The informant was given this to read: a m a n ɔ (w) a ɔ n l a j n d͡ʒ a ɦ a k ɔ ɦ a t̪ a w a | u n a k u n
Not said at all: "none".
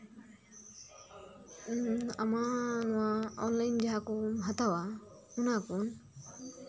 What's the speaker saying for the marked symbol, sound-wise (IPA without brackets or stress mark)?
w